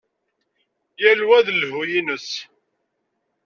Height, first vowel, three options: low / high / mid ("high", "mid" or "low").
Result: low